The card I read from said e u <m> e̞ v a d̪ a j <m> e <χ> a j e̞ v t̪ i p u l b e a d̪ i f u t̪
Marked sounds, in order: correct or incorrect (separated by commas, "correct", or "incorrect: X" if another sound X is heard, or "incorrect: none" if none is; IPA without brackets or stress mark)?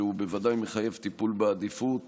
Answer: incorrect: b, correct, correct